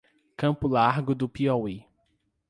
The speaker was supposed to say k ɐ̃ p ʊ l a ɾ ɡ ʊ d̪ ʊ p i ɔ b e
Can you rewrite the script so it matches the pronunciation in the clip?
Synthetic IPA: k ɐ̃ p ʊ l a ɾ ɡ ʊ d̪ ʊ p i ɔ w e